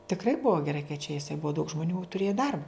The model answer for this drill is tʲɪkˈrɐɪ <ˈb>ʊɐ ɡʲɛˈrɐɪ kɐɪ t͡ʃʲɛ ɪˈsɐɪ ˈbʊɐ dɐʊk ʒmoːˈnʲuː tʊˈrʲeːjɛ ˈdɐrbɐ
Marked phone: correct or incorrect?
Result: correct